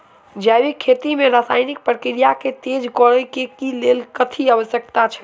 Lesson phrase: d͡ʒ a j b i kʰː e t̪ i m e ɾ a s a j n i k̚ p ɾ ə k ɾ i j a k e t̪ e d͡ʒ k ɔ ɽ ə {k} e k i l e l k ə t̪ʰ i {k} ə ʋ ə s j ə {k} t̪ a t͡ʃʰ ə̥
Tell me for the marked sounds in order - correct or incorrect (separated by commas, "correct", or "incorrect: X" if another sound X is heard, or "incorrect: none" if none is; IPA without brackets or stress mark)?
correct, incorrect: none, correct